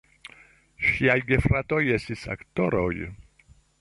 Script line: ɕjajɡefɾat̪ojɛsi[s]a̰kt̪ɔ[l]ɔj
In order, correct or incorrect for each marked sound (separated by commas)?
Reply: correct, incorrect